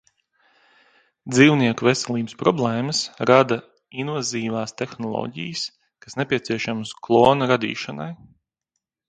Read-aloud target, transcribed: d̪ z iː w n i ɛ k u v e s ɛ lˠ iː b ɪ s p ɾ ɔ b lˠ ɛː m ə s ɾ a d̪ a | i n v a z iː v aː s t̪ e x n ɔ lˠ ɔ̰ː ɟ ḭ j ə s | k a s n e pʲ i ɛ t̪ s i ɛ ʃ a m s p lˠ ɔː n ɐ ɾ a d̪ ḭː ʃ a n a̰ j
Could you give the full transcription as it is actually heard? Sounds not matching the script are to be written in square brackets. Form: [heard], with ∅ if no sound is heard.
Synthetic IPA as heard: d̪ z iː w n i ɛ k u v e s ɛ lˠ iː b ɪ s p ɾ ɔ b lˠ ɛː m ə s ɾ a d̪ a | i n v a z iː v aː s t̪ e x n ɔ lˠ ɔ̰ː ɟ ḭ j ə s | k a s n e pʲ i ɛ t̪ s i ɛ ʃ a m s [k] lˠ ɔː n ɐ ɾ a d̪ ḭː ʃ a n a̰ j